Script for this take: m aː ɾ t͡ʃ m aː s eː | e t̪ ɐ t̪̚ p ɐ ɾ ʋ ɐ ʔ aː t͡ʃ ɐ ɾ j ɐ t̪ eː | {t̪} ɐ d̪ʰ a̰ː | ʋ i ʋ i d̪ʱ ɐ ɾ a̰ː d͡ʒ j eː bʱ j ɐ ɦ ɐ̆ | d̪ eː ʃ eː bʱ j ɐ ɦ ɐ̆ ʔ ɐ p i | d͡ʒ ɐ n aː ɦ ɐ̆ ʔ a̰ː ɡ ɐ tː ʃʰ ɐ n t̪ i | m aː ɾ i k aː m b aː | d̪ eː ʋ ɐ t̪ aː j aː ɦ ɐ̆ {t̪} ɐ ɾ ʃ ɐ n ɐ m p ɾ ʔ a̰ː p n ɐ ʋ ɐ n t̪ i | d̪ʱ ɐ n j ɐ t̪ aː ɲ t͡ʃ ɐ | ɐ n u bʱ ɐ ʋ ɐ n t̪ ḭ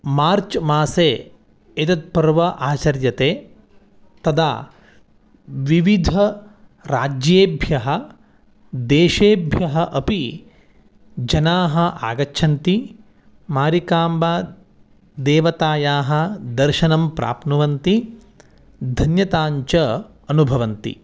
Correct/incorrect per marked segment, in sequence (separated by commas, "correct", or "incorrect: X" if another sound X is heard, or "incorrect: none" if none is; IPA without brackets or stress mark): correct, incorrect: d̪